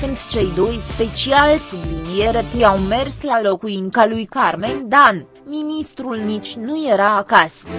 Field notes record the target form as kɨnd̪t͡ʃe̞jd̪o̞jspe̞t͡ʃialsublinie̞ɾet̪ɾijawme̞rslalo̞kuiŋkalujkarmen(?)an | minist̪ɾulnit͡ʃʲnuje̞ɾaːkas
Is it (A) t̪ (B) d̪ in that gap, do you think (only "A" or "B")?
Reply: B